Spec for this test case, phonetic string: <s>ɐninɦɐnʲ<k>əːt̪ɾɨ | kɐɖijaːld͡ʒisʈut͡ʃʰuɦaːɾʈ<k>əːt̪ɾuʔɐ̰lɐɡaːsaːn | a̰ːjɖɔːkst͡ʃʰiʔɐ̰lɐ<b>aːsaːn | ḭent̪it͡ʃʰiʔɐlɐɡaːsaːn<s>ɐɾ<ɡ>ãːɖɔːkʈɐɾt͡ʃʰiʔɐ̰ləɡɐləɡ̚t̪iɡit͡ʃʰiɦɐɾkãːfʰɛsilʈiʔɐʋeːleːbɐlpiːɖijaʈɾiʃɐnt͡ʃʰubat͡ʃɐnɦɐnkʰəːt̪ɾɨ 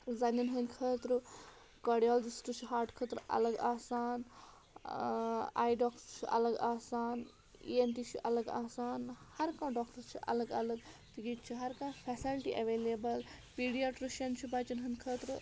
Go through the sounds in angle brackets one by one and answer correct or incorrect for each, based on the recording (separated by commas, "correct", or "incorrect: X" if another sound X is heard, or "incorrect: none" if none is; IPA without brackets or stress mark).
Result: incorrect: z, incorrect: kʰ, incorrect: kʰ, incorrect: ɡ, incorrect: h, incorrect: k